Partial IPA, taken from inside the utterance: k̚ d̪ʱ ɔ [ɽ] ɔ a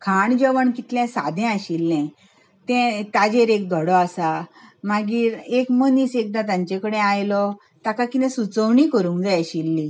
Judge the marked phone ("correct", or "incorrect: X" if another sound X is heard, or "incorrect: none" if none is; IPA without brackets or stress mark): correct